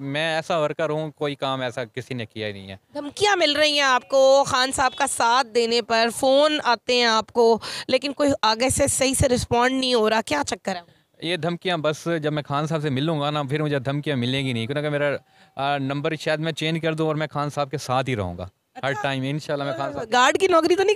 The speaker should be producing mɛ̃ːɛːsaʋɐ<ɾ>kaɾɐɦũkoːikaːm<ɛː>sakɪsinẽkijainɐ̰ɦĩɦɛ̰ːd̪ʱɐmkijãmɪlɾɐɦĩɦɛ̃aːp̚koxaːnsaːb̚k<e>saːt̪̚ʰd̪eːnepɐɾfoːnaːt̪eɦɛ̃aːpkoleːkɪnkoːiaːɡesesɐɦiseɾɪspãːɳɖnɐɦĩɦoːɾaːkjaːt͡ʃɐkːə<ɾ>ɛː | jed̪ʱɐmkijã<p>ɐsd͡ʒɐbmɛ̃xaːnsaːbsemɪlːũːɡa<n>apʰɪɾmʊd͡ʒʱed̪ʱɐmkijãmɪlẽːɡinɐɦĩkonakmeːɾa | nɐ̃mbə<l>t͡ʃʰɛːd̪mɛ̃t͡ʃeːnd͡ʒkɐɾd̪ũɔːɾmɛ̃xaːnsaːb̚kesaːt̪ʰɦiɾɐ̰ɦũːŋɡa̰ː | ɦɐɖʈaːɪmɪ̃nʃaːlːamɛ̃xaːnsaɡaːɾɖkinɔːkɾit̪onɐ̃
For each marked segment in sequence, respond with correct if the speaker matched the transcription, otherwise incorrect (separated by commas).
correct, correct, incorrect, correct, incorrect, correct, incorrect